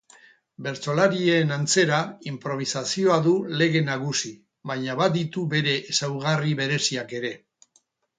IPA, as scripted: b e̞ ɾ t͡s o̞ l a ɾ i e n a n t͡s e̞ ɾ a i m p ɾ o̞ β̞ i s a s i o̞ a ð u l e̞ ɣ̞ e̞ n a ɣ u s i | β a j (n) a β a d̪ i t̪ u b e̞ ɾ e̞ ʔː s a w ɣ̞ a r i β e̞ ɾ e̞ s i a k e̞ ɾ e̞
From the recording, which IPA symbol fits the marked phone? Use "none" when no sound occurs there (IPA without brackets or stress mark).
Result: ɲ